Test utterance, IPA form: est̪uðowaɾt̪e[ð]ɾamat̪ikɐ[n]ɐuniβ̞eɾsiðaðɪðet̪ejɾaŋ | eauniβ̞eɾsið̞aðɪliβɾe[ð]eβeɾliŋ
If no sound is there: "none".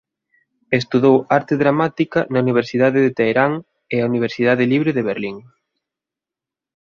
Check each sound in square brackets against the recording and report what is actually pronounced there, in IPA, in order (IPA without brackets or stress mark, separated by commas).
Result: ð, n, ð